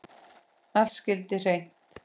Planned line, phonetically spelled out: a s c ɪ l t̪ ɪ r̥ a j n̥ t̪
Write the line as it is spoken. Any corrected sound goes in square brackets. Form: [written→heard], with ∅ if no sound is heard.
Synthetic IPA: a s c ɪ l t̪ ɪ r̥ [a→e] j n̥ t̪